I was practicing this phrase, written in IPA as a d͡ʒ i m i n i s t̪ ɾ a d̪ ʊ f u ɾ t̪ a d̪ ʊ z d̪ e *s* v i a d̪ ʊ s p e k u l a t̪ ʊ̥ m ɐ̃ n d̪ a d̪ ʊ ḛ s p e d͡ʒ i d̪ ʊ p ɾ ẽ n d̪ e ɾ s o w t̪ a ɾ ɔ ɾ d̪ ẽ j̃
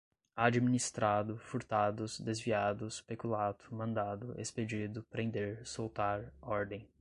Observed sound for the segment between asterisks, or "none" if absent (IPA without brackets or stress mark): z